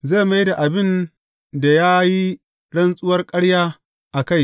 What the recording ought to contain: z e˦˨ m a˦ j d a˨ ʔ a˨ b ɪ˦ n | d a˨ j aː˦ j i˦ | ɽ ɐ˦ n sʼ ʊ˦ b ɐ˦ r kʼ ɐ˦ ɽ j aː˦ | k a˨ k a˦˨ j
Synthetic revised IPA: z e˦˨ m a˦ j d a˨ ʔ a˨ b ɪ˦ n | d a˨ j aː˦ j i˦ | ɽ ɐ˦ n sʼ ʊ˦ w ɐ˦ r kʼ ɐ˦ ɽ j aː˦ | ʔ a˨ k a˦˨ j